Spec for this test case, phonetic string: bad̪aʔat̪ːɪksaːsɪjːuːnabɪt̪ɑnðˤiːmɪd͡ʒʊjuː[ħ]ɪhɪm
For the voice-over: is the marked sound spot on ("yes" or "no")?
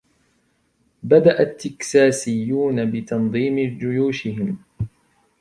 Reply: no